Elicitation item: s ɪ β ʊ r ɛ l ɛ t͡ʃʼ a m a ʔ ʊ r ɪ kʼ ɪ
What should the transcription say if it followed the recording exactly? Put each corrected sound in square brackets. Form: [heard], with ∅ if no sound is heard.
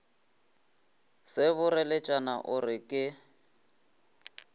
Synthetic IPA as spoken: s ɪ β ʊ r ɛ l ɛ t͡ʃʼ a [n] a ʔ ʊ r ɪ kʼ ɪ